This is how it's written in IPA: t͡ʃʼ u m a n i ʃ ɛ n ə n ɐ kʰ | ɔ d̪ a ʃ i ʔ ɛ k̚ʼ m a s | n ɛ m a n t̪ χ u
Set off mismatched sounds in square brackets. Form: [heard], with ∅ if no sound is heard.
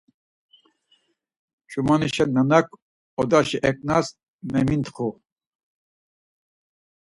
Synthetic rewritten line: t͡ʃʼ u m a n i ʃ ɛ n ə n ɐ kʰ | ɔ d̪ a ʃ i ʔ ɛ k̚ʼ [n] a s | [m] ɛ m [i] n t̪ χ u